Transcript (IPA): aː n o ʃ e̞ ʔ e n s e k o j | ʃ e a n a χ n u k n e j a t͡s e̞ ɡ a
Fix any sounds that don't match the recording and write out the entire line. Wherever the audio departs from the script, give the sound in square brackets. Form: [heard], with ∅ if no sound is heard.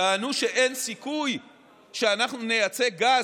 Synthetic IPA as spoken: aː n [u] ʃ e̞ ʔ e n s [i] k [u] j | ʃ e a n a χ n u [∅] n e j a t͡s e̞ ɡ a